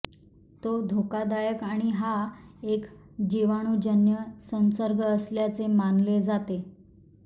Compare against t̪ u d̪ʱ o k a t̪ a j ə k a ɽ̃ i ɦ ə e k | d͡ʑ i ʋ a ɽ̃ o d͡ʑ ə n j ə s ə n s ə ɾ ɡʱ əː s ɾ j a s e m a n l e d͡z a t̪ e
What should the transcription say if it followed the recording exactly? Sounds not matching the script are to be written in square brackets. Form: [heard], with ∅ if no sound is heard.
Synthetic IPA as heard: t̪ [o] d̪ʱ o k a [d̪] a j ə k a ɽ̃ i ɦ [a] e k | d͡ʑ i ʋ a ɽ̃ [u] d͡ʑ ə n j ə s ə n s ə ɾ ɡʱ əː s [l] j a [t͡s] e m a n l e d͡z a t̪ e